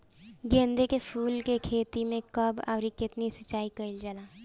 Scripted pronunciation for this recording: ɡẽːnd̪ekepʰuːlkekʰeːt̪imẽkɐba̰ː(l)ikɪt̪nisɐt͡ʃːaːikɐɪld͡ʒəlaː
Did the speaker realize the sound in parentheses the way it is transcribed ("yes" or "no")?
no